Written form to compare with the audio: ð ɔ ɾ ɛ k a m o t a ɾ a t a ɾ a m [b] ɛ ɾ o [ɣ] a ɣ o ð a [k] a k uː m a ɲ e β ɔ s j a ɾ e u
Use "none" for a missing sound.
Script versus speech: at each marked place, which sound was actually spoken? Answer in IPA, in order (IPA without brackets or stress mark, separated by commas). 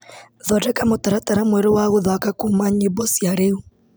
w, w, k